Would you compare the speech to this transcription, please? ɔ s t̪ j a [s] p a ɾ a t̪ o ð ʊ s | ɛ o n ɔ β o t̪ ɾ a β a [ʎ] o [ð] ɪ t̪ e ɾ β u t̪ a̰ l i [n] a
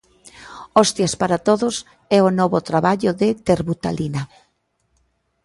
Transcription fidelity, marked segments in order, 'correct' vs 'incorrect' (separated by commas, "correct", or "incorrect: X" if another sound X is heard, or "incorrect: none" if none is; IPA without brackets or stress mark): correct, correct, correct, correct